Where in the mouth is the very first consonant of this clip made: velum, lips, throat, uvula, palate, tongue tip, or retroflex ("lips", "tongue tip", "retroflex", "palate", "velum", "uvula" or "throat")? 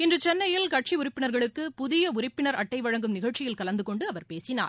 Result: tongue tip